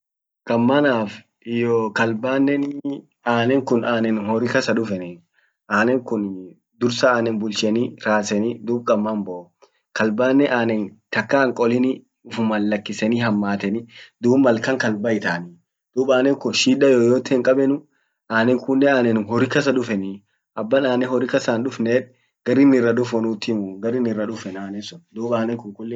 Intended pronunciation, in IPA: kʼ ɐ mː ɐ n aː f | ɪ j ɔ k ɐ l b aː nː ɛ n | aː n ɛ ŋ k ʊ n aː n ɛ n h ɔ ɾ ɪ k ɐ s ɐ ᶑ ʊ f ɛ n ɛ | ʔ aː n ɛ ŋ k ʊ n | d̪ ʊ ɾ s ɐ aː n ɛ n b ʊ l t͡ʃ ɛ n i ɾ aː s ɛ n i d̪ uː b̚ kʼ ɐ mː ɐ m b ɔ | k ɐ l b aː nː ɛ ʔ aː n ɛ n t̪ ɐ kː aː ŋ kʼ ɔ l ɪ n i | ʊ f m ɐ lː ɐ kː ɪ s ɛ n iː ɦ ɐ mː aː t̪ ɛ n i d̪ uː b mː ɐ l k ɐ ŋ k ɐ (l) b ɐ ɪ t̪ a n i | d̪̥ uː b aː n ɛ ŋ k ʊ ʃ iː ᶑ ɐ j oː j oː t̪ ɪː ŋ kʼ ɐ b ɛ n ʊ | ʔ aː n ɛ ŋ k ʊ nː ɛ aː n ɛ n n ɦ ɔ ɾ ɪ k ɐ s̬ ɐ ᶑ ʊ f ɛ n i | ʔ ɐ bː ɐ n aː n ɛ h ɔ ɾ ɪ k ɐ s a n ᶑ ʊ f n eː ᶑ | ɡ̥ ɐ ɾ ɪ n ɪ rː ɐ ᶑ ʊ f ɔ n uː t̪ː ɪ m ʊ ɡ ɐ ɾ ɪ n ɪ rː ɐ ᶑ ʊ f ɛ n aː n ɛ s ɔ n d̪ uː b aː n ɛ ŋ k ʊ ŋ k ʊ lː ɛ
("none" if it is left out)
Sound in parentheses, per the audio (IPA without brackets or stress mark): l